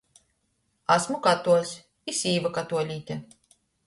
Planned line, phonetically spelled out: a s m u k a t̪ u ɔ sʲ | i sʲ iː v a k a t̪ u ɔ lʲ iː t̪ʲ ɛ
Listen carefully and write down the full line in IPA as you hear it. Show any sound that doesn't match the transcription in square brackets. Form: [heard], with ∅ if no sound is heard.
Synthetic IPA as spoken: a s m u k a t̪ u ɔ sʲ | i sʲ iː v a k a t̪ u ɔ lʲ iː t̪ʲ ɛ